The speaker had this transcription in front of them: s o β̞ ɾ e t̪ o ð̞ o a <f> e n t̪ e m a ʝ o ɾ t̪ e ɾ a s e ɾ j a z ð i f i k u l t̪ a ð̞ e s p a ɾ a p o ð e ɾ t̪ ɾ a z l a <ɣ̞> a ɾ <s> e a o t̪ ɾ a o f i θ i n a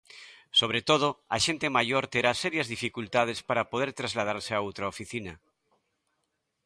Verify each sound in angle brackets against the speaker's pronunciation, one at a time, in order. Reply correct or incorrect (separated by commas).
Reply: incorrect, incorrect, correct